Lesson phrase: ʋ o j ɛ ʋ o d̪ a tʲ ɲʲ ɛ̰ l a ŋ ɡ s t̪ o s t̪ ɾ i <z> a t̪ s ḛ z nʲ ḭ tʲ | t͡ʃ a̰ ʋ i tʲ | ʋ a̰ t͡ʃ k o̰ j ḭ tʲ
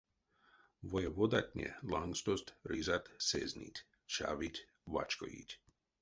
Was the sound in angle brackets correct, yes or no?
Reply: yes